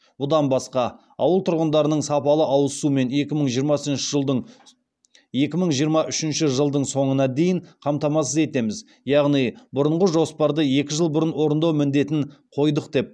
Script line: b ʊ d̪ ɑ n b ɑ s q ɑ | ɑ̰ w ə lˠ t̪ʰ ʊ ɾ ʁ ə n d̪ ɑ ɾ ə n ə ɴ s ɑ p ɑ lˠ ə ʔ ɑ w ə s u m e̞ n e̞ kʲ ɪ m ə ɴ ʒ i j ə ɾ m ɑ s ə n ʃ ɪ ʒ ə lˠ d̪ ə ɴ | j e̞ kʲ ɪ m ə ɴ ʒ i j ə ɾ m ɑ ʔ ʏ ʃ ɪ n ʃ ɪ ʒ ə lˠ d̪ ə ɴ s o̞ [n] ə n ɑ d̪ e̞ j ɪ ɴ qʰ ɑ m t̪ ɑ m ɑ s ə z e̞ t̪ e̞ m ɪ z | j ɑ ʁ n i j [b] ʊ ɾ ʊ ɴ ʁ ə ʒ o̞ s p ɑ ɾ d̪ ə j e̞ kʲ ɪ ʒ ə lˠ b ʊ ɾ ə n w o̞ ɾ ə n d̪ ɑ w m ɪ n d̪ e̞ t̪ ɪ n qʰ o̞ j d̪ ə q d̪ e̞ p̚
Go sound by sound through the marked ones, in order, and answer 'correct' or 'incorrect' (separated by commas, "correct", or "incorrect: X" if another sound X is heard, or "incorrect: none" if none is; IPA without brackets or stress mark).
incorrect: ɴ, correct